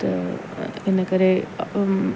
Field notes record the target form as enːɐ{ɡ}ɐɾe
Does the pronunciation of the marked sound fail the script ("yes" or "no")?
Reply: yes